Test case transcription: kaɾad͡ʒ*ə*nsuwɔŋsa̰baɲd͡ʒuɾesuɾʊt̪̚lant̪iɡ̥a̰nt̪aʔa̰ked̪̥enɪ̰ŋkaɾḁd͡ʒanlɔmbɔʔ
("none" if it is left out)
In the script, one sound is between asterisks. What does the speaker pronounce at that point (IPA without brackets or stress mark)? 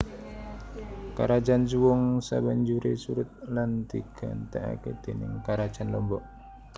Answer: a